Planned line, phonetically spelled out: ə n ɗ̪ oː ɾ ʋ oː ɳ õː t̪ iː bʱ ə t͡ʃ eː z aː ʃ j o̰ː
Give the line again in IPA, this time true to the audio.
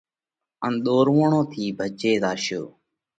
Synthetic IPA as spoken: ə n ɗ̪ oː ɾ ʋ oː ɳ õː t̪ʰ iː bʱ ə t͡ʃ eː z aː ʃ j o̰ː